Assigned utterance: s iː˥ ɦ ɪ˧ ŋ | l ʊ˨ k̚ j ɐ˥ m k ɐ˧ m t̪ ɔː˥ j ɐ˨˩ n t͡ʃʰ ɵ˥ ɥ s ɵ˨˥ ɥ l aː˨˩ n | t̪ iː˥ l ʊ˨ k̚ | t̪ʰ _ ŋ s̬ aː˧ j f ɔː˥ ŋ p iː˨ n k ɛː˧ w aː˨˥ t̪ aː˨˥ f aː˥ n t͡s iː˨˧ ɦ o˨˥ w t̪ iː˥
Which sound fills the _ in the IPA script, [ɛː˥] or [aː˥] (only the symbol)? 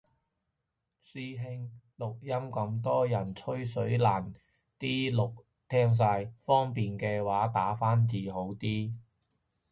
ɛː˥